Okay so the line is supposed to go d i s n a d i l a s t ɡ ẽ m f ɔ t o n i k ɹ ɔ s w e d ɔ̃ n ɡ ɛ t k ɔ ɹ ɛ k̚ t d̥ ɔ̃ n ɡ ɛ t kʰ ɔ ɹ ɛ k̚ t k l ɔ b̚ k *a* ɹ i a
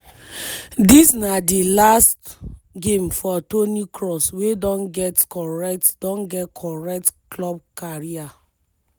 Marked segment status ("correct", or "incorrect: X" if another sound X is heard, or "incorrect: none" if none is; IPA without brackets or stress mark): correct